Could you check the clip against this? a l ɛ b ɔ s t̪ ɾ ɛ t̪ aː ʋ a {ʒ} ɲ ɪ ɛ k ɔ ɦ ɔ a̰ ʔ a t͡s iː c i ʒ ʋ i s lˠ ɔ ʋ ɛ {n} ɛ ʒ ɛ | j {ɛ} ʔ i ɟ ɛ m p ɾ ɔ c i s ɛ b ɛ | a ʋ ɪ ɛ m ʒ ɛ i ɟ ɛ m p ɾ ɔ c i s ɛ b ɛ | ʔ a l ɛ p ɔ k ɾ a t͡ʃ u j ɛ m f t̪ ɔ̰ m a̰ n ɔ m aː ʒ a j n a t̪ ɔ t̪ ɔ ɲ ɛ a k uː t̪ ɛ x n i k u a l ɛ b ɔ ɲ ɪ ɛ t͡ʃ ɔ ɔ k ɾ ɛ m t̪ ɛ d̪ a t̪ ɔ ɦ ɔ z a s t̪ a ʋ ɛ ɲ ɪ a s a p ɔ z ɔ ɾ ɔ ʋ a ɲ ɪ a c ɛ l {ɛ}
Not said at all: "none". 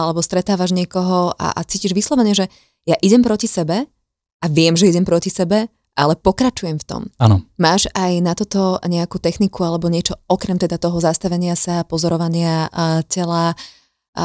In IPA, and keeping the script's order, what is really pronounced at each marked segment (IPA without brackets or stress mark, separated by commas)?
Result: ʒ, ɲ, a, a